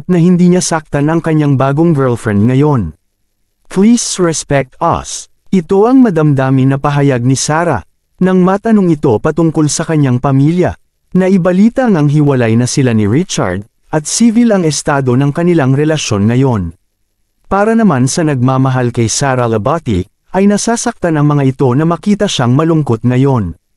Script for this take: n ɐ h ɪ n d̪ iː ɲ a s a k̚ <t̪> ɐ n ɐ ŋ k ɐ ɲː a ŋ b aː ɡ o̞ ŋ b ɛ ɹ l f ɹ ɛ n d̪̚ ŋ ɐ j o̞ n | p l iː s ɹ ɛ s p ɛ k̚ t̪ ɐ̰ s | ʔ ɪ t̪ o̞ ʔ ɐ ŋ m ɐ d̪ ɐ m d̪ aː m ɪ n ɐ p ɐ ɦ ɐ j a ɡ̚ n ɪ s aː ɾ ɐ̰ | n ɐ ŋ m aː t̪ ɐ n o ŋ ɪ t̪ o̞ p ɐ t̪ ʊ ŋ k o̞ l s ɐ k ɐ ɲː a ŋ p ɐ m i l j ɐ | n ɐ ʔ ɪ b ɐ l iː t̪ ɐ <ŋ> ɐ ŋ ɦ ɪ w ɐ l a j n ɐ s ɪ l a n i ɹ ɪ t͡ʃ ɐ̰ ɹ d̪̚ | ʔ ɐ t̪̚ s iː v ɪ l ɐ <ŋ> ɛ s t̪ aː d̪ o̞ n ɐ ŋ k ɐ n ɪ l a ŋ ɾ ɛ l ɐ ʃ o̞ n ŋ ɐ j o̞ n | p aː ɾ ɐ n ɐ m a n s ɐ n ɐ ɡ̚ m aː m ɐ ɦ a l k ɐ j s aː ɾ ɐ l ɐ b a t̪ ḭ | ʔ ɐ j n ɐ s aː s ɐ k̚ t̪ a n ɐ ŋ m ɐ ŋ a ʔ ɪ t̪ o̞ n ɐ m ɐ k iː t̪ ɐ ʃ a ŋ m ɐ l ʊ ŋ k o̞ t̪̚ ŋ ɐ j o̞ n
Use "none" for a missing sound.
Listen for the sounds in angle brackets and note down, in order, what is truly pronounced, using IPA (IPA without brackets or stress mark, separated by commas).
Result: t̪, ŋ, ŋ